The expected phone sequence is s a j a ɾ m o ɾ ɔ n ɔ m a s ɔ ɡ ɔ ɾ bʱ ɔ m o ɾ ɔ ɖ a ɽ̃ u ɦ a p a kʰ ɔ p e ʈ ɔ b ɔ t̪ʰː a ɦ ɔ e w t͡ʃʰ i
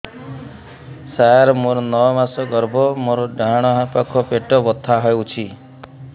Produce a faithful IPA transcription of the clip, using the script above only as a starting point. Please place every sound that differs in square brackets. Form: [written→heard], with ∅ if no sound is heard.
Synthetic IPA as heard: s a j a ɾ m o ɾ ɔ n ɔ m a s ɔ ɡ ɔ ɾ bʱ ɔ m o ɾ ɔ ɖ a ɽ̃ [u→ɔ] ɦ a p a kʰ ɔ p e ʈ ɔ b ɔ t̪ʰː a ɦ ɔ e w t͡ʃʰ i